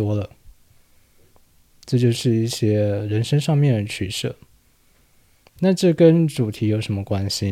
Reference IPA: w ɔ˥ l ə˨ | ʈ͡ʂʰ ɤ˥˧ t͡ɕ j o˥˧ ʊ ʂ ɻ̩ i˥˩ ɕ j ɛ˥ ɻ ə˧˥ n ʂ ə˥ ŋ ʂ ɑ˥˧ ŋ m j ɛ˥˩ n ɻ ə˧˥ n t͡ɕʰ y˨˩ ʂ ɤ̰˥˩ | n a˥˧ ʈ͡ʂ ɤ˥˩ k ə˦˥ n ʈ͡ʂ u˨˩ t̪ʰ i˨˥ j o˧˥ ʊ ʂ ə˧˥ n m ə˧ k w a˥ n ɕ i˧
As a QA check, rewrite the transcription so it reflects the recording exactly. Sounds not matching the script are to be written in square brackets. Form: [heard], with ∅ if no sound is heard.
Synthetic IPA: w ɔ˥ l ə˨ | [ʈ͡ʂ] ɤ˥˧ t͡ɕ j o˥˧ ʊ ʂ ɻ̩ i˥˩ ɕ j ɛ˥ ɻ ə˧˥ n ʂ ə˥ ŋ ʂ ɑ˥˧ ŋ m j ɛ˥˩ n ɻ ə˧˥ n t͡ɕʰ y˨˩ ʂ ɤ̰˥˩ | n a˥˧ ʈ͡ʂ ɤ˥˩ k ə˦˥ n ʈ͡ʂ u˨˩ t̪ʰ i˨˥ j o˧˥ ʊ ʂ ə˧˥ n m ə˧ k w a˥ n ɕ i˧